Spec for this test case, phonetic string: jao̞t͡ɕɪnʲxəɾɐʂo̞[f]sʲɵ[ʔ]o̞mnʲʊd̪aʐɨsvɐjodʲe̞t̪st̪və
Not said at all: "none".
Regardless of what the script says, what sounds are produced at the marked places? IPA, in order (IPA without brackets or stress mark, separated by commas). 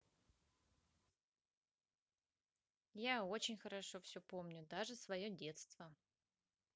f, p